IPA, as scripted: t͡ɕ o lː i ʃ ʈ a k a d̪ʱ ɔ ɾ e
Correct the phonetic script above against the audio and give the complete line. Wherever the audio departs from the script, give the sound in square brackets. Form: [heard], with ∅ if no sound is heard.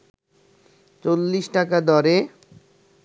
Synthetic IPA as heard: t͡ɕ o lː i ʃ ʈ a k a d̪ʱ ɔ ɾ e

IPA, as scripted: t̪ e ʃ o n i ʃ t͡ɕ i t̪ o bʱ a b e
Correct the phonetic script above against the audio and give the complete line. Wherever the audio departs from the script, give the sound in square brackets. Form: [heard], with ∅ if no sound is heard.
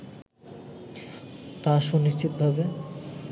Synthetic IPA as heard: t̪ [a] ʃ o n i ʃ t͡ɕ i t̪ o bʱ a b e

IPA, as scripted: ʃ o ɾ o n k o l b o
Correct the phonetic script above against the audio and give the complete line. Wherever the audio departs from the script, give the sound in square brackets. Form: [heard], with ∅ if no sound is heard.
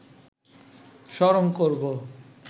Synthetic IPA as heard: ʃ [ɔ] ɾ o [ŋ] k o [ɾ] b o

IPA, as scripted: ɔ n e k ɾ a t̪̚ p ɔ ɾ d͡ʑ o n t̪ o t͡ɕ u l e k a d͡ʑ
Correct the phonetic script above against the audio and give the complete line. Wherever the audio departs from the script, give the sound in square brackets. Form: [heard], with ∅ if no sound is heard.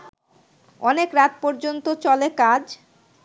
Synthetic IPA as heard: ɔ n e k ɾ a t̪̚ p ɔ ɾ d͡ʑ o n t̪ o t͡ɕ [ɔ] l e k a d͡ʑ

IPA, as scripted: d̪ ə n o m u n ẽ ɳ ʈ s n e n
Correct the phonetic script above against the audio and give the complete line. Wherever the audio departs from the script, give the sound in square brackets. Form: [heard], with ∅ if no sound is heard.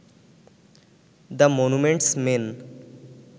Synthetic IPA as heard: d̪ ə [m] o [n] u [m] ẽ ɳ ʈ s [m] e n

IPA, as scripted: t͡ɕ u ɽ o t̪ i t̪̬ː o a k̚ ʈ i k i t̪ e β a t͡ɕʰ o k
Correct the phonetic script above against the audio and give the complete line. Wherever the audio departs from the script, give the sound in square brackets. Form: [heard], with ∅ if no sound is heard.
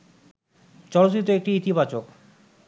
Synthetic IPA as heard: t͡ɕ [ɔ] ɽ o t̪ i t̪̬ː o [e] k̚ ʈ i [∅] i t̪ [i] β a [t͡ɕ] o k

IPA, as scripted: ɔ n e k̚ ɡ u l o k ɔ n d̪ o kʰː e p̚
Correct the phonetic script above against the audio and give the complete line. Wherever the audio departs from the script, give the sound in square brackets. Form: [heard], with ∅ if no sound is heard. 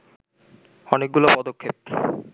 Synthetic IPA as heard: ɔ n e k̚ ɡ u l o [p] ɔ [∅] d̪ o kʰː e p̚

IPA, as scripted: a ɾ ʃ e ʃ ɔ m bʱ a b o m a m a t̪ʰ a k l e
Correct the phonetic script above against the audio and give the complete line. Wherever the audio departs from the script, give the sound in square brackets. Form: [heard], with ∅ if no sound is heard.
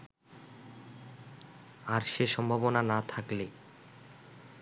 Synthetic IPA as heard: a ɾ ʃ e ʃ ɔ m bʱ a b o [n] a [n] a t̪ʰ a k l e

